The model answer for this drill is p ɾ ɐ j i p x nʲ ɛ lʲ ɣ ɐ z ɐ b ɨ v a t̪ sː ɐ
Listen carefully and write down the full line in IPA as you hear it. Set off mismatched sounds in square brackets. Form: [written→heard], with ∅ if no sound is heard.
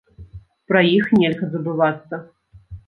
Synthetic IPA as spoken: p ɾ ɐ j i [p→∅] x nʲ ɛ lʲ ɣ ɐ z ɐ b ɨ v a t̪ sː ɐ